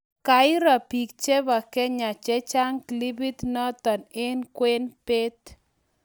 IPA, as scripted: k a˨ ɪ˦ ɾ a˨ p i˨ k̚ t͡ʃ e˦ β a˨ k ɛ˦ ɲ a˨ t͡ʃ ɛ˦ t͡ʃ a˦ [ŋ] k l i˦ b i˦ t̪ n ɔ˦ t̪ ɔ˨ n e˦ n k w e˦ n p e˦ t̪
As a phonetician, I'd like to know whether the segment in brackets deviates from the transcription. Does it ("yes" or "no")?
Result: no